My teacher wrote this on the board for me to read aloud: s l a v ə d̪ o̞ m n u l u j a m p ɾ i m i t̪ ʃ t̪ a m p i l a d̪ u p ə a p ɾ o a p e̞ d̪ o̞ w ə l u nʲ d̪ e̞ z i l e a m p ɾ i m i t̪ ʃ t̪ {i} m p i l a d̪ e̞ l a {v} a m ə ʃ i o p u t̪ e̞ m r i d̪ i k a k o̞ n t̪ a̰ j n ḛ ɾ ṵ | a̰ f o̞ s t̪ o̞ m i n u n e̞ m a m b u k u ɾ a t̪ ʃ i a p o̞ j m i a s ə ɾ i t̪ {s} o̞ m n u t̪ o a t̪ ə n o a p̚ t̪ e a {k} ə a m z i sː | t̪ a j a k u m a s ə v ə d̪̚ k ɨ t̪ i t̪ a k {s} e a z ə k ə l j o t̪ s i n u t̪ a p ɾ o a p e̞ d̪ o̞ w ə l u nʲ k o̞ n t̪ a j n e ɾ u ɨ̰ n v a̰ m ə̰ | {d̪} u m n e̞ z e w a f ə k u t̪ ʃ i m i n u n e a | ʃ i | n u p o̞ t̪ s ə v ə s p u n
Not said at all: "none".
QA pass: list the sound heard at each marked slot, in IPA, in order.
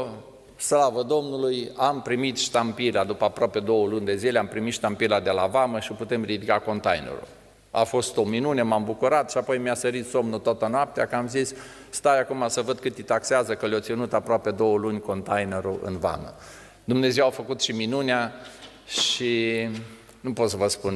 a, v, s, k, s, d̪

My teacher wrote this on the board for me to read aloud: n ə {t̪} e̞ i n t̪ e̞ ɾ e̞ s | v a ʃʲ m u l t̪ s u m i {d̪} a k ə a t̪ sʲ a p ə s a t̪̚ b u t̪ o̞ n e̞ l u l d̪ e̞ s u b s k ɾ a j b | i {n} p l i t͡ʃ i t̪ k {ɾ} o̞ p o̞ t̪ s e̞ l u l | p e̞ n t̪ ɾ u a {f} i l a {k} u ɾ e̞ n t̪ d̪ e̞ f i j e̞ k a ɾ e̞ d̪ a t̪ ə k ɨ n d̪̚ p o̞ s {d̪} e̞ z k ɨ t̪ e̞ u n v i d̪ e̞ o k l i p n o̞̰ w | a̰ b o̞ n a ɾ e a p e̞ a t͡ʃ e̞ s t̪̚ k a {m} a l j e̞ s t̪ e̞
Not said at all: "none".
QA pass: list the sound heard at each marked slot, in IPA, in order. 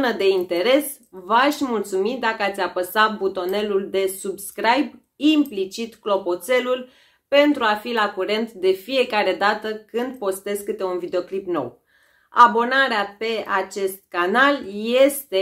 d̪, d̪, m, l, f, k, t̪, n

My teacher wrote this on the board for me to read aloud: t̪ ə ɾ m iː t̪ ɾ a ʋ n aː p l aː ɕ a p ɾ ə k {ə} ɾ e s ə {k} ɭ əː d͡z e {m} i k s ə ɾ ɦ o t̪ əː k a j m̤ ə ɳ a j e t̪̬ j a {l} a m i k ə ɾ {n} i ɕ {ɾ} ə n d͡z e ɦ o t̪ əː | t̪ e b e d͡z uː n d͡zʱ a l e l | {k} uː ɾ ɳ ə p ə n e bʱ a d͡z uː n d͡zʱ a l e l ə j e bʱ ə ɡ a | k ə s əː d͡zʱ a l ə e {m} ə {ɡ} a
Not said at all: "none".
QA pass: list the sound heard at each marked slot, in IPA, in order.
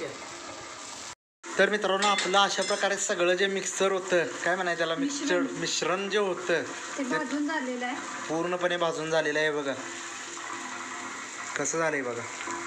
a, ɡ, m, l, m, ɾ, p, b, ɡ

